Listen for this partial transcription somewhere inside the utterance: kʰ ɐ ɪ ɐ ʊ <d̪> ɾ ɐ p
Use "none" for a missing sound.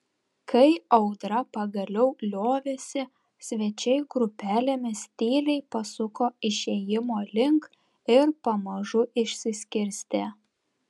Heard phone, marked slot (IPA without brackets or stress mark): d̪